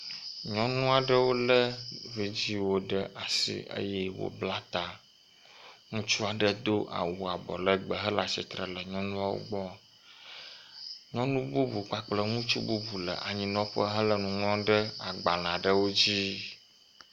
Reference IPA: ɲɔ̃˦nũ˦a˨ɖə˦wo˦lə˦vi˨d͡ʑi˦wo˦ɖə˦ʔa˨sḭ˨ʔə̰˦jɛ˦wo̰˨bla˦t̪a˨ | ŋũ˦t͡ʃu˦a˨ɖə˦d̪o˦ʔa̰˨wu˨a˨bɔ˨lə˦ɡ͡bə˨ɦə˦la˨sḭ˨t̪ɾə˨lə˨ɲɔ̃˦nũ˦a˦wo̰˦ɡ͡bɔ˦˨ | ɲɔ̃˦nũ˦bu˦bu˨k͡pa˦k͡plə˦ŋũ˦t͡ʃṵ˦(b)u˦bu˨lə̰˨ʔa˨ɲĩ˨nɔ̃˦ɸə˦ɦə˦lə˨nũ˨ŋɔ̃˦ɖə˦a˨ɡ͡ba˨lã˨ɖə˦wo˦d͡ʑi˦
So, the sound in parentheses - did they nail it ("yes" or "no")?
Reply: yes